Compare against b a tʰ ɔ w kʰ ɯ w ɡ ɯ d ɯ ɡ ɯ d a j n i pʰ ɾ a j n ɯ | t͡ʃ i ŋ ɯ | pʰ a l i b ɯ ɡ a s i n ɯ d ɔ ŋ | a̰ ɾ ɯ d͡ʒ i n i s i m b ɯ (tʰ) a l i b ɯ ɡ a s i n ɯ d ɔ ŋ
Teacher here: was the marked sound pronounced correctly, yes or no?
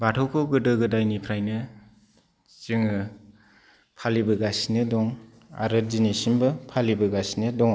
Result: no